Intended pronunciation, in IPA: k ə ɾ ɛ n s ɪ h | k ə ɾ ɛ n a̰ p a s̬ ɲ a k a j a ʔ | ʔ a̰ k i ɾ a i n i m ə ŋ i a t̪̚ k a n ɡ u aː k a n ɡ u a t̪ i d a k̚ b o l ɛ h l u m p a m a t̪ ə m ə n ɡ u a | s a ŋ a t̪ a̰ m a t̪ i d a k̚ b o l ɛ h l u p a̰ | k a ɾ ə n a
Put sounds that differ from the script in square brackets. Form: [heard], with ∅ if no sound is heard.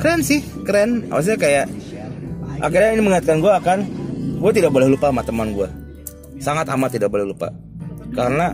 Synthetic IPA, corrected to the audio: k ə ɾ ɛ n s ɪ h | k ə ɾ ɛ n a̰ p a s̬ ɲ a k a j a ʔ | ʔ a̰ k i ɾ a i n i m ə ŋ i a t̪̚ k a n ɡ u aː k a n ɡ u a t̪ i d a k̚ b o l ɛ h l u [∅] p a m a t̪ ə m [a] n ɡ u a | s a ŋ a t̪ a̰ m a t̪ i d a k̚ b o l ɛ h l u p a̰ | k a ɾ ə n a